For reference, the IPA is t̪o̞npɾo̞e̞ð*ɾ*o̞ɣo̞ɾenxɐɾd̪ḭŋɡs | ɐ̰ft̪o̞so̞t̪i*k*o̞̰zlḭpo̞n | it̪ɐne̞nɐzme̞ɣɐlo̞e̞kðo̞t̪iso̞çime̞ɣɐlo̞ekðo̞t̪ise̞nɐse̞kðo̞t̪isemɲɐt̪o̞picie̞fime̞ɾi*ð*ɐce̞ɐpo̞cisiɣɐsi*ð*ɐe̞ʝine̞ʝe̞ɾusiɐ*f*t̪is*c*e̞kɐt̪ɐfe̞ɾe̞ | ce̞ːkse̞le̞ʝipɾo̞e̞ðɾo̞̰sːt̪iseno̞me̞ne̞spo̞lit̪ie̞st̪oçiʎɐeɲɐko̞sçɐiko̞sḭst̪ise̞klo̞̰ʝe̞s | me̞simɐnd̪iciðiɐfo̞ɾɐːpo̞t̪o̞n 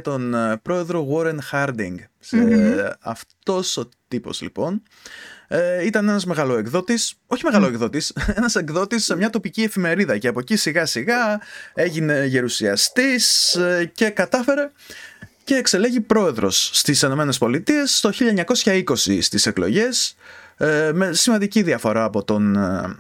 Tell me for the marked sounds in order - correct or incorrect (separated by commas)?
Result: correct, incorrect, correct, incorrect, incorrect, correct